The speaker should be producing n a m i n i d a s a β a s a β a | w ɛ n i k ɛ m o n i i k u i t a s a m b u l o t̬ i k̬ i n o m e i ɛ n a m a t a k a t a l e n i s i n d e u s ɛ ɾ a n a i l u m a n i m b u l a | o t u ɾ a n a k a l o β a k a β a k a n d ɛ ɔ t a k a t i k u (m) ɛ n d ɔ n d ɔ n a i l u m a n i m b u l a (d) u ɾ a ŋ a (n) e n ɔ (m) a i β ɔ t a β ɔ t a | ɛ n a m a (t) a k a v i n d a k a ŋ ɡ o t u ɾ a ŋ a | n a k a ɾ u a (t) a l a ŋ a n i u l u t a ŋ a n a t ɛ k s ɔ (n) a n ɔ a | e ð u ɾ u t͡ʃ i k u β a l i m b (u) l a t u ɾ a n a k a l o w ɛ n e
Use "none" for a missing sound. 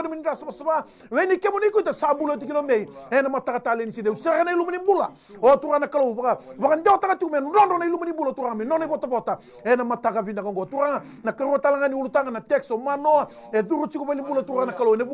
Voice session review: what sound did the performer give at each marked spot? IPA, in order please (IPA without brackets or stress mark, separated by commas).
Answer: m, t, m, n, t, t, m, u